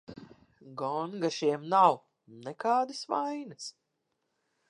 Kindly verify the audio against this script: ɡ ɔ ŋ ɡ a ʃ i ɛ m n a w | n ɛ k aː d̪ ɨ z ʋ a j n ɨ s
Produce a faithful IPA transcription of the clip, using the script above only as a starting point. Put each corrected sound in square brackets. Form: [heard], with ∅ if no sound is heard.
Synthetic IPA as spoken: ɡ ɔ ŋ ɡ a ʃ i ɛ m n a w | n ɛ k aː d̪ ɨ [s] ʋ a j n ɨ s